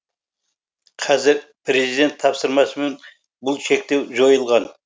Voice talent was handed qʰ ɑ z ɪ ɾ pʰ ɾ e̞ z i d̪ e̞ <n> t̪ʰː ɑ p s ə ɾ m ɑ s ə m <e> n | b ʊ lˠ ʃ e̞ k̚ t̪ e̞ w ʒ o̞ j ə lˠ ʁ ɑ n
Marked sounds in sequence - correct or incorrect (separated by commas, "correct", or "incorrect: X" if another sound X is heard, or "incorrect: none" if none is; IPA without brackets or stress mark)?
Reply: correct, correct